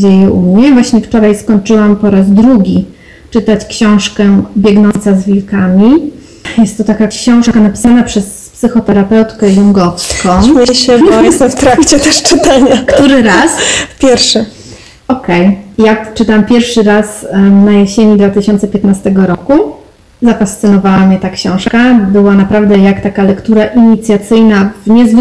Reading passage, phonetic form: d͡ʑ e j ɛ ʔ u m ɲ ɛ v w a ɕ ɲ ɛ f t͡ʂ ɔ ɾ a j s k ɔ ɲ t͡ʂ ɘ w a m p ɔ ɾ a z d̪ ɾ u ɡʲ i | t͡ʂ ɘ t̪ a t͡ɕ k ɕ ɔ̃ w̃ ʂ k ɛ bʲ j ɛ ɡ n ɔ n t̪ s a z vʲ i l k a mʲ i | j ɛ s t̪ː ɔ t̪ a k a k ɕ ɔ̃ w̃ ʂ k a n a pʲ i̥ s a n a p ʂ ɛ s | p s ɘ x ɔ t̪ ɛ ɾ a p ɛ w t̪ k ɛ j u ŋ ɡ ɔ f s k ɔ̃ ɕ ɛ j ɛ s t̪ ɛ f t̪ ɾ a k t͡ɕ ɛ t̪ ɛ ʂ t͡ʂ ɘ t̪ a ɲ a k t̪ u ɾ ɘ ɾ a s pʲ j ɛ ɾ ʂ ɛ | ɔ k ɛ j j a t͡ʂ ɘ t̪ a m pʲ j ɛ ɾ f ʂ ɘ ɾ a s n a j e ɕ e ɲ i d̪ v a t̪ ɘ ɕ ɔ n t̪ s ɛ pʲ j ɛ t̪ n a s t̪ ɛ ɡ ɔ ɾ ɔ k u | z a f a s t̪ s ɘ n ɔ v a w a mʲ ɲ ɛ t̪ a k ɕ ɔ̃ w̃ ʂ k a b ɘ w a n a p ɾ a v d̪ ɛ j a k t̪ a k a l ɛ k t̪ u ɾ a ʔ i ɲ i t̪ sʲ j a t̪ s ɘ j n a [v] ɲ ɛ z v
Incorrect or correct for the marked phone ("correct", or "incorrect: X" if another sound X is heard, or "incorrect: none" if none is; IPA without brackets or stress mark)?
correct